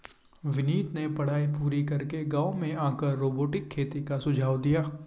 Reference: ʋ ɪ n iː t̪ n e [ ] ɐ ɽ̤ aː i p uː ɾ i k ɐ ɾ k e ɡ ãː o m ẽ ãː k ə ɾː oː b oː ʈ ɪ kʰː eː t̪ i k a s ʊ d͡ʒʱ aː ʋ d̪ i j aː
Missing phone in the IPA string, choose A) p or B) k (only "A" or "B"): A